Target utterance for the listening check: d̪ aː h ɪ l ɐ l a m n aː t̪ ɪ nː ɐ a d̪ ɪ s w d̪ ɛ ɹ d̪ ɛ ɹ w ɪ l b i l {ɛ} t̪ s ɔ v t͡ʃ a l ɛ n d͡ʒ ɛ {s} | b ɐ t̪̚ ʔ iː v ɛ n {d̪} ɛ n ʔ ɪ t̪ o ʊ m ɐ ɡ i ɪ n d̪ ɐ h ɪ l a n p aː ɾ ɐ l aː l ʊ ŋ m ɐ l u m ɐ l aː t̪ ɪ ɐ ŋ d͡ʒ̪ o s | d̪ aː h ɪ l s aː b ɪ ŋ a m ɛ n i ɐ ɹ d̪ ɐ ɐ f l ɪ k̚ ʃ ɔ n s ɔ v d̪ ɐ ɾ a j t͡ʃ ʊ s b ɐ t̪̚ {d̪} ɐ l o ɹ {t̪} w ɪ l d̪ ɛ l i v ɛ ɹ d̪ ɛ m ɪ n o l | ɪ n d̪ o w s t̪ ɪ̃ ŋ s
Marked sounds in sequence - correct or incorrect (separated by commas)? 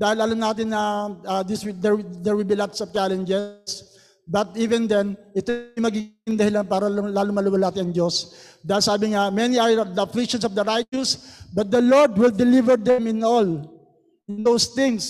incorrect, correct, correct, correct, incorrect